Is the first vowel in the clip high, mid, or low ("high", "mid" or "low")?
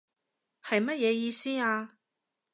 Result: low